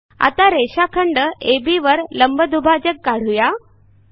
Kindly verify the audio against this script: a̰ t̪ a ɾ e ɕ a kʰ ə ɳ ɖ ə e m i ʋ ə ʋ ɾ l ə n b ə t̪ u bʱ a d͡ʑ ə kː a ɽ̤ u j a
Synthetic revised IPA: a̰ t̪ a ɾ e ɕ a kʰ ə ɳ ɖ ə e b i ʋ ə ɾ l ə m b ə d̪ u bʱ a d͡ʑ ə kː a ɽ̤ u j a